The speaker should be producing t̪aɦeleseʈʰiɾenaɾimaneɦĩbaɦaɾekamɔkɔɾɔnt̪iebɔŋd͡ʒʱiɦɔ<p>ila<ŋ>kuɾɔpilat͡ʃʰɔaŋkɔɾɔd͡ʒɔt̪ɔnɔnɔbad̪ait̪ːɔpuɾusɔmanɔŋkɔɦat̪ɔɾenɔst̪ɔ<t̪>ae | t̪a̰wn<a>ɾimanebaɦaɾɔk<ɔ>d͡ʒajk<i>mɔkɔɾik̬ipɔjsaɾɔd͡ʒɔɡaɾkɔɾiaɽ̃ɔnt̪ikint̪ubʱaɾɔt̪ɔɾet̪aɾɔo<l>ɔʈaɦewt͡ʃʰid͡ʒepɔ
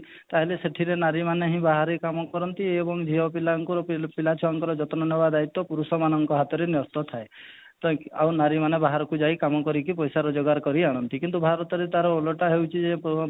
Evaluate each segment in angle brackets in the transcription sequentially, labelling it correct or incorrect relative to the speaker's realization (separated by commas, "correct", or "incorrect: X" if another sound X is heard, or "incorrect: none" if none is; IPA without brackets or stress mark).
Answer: correct, correct, incorrect: t̪ʰ, correct, incorrect: u, incorrect: a, correct